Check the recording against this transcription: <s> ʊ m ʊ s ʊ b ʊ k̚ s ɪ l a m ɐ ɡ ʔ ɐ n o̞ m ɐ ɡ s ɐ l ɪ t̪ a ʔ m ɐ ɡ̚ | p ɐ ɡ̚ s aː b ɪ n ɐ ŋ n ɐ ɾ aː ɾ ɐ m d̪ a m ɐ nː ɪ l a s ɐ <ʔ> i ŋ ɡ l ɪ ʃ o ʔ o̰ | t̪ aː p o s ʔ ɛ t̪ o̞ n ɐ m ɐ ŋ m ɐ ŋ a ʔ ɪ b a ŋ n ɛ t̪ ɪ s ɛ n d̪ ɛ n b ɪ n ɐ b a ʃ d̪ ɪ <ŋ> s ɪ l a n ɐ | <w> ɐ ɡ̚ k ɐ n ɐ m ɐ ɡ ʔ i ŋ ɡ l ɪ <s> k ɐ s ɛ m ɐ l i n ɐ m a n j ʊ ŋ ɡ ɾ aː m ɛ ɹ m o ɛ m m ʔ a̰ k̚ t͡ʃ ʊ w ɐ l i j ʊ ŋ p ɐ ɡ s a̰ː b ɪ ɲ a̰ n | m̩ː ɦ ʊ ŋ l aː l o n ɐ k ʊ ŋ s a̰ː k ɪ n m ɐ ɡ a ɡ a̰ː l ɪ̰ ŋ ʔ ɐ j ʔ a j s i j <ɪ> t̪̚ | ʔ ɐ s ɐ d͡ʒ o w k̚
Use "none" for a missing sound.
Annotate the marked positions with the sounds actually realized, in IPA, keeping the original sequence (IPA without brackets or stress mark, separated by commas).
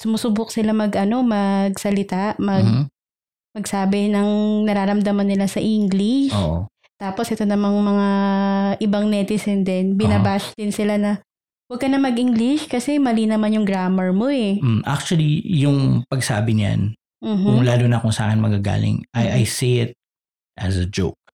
s, ʔ, n, w, ʃ, ɪ